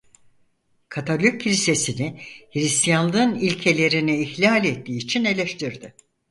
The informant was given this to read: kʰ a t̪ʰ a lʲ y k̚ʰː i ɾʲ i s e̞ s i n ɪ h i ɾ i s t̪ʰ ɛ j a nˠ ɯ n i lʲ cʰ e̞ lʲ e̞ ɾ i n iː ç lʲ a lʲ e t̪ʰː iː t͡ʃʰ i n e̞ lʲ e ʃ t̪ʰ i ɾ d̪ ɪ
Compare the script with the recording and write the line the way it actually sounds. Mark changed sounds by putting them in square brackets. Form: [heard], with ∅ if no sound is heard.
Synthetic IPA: kʰ a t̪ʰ a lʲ y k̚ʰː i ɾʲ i s e̞ s i n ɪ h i ɾ i s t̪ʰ [i] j a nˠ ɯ n i lʲ cʰ e̞ lʲ e̞ ɾ i n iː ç lʲ a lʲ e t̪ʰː iː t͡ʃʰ i n e̞ lʲ e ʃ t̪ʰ i ɾ d̪ ɪ